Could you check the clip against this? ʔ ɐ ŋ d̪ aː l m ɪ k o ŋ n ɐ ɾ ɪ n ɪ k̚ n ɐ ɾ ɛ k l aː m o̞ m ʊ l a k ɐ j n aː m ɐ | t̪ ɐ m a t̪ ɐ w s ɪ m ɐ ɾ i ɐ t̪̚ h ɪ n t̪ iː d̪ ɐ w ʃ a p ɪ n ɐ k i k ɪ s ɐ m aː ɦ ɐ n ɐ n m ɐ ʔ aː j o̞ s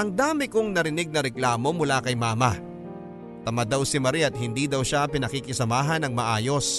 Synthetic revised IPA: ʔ ɐ ŋ d̪ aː m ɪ k o ŋ n ɐ ɾ ɪ n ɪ ɡ̚ n ɐ ɾ ɛ k l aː m o̞ m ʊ l a k ɐ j m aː m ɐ | t̪ ɐ m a d̪ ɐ w s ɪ m ɐ ɾ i ɐ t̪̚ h ɪ n d̪ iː d̪ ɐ w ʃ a p ɪ n ɐ k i k ɪ s ɐ m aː ɦ ɐ n ɐ ŋ m ɐ ʔ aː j o̞ s